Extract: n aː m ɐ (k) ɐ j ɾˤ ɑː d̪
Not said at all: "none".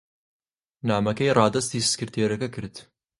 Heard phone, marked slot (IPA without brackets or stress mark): k